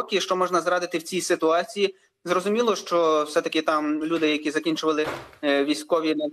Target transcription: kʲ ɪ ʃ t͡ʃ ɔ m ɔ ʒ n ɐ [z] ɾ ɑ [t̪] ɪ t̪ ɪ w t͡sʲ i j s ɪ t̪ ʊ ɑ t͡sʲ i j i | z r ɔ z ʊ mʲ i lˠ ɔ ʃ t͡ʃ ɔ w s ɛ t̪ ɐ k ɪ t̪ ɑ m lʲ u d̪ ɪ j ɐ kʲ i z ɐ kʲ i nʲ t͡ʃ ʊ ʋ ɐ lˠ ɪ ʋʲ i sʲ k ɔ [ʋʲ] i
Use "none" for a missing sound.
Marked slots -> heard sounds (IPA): z, d̪, ʋʲ

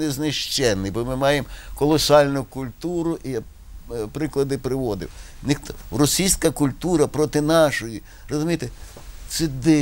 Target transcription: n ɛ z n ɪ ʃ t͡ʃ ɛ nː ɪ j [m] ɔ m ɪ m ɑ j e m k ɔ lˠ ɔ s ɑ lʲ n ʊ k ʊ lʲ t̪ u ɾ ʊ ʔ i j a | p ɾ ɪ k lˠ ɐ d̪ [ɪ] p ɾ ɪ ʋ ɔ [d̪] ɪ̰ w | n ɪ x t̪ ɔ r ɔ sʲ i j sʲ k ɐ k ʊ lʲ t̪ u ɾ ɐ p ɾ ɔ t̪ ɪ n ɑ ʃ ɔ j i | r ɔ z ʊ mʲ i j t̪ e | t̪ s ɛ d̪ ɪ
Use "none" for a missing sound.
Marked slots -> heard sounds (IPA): b, ɪ, d̪

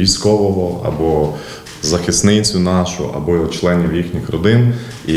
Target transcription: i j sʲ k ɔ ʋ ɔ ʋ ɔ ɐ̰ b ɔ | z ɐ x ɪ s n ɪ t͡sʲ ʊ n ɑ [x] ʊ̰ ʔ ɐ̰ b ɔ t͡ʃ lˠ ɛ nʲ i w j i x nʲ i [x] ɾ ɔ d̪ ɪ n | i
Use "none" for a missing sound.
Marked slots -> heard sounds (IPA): ʃ, x

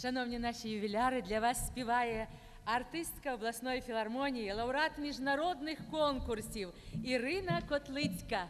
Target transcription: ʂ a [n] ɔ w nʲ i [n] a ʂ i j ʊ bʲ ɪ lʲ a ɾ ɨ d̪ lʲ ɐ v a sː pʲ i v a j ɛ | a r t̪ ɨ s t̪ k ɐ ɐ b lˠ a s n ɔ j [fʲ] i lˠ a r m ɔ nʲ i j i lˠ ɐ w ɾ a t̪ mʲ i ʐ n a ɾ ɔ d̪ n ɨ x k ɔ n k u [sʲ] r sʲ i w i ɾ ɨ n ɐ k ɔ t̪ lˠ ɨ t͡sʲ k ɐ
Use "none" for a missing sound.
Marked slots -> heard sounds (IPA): n, n, fʲ, none

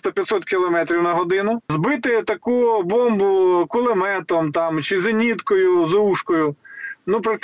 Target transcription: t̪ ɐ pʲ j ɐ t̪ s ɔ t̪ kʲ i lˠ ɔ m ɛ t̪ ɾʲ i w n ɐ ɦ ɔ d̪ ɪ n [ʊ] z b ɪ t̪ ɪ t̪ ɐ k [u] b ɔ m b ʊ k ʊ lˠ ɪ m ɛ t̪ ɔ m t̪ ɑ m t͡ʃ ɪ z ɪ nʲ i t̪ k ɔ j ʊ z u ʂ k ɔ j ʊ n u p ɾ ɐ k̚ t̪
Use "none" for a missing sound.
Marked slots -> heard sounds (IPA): ʊ, u

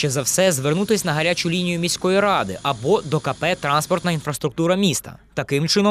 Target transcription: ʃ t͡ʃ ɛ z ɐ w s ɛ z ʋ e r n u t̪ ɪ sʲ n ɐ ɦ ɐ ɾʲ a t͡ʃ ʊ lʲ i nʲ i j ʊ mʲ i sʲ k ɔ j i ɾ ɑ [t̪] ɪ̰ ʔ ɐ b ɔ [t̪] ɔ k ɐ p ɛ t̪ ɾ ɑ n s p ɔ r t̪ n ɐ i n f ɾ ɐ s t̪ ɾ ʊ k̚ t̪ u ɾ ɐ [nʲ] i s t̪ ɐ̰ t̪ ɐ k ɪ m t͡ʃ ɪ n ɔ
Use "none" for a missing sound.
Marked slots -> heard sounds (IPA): d̪, d̪, mʲ

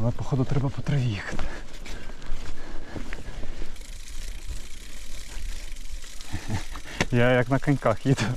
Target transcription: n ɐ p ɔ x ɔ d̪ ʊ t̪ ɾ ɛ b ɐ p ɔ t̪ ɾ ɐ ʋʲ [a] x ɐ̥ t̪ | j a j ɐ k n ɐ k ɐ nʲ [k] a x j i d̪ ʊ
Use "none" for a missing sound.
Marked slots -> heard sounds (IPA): i, k

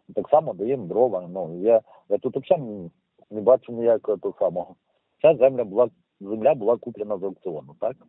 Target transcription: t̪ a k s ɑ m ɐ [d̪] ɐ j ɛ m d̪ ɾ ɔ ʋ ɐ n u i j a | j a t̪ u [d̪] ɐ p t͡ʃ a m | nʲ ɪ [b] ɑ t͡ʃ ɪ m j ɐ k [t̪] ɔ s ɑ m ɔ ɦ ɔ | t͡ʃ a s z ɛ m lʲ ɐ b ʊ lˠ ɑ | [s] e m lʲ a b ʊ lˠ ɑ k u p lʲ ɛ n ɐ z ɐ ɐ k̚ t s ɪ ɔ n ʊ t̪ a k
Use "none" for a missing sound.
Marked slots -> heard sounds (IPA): d̪, t̪, b, t̪, z

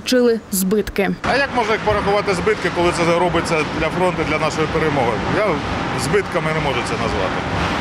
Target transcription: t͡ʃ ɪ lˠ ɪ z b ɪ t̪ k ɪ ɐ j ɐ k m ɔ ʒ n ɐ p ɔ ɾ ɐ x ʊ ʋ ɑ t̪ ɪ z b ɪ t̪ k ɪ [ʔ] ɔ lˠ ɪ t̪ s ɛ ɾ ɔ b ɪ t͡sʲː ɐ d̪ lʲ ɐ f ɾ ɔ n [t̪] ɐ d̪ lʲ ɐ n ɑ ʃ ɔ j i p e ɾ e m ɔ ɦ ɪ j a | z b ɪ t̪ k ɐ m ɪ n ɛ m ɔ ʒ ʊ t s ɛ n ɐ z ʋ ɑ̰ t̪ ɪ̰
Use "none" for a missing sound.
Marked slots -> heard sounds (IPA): k, t̪

